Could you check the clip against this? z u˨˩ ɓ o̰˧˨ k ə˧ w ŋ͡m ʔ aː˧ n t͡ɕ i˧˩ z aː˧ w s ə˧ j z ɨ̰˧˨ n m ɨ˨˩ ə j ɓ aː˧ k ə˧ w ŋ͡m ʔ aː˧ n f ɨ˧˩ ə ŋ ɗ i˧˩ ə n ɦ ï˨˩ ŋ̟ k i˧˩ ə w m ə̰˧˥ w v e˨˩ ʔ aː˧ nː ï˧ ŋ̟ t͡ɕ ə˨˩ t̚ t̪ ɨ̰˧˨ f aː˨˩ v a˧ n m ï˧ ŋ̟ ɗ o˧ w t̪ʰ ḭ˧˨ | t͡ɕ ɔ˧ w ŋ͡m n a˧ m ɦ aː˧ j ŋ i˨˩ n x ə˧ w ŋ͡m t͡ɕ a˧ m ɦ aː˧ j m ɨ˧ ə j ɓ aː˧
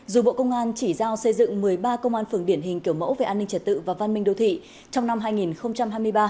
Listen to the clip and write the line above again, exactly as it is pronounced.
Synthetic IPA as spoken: z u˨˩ ɓ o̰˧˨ k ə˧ w ŋ͡m ʔ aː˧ n t͡ɕ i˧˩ z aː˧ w s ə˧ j z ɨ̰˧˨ ŋ m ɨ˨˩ ə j ɓ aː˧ k ə˧ w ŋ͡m ʔ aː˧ n f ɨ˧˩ ə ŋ ɗ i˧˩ ə n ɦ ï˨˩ ŋ̟ k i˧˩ ə w m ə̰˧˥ w v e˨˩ ʔ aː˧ nː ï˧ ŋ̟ t͡ɕ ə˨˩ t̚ t̪ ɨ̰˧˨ v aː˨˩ v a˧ n m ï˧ ŋ̟ ɗ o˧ w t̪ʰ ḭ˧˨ | t͡ɕ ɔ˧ w ŋ͡m n a˧ m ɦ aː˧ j ŋ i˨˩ n x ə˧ w ŋ͡m t͡ɕ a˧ m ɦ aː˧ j m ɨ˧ ə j ɓ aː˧